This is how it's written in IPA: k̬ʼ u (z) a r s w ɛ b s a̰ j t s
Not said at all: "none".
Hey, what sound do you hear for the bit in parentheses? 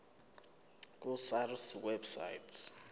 s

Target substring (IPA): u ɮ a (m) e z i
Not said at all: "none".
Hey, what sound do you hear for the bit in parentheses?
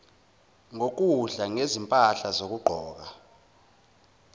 ŋ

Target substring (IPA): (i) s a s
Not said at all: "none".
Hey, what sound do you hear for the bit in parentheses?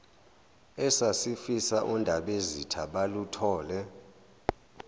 ɛ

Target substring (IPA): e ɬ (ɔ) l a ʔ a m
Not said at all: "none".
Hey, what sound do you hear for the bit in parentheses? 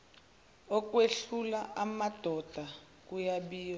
u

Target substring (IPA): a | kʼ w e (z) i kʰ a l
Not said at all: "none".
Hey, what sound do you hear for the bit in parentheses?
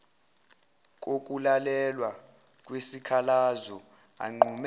s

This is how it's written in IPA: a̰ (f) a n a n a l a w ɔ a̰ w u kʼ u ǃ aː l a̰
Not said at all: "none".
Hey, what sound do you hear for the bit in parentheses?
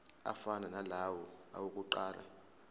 f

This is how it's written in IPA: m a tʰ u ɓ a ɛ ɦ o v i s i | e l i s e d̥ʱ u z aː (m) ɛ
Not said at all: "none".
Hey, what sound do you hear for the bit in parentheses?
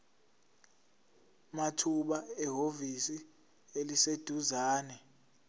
n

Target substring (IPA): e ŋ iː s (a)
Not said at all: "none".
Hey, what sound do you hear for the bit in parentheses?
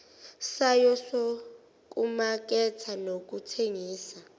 a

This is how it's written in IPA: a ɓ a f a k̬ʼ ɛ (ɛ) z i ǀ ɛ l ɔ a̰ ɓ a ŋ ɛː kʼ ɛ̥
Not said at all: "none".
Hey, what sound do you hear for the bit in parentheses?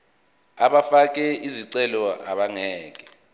i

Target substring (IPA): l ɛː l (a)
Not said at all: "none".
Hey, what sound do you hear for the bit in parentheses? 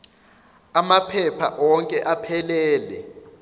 ɛ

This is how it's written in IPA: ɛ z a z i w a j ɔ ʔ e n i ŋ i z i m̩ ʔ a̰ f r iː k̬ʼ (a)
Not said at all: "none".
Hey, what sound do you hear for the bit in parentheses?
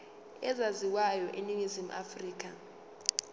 a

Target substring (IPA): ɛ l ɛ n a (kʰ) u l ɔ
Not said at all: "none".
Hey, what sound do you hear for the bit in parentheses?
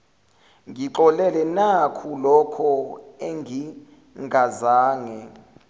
kʰ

